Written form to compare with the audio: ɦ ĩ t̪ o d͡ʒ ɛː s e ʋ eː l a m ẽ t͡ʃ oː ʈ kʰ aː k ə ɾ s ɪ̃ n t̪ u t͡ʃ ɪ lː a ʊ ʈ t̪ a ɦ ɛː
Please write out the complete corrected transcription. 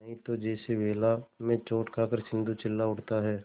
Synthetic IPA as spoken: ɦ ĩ t̪ o d͡ʒ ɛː s e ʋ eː l a m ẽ t͡ʃ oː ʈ kʰ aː k ə ɾ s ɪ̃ n d̪ u t͡ʃ ɪ lː a ʊ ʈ t̪ a ɦ ɛː